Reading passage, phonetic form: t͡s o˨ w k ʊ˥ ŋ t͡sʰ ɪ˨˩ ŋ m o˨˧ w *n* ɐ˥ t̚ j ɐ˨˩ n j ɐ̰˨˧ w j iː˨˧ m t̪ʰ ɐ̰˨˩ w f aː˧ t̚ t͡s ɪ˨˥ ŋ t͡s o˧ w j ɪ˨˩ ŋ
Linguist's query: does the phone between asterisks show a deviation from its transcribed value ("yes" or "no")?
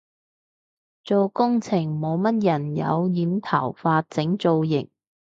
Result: yes